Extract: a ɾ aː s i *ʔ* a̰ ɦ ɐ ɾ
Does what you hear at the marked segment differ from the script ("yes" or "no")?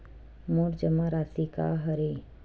yes